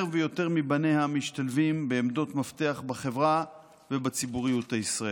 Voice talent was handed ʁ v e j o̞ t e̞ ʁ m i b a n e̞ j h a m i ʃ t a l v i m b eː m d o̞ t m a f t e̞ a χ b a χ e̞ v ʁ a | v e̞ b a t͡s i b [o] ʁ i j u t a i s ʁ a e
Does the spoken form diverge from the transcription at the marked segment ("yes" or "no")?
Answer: yes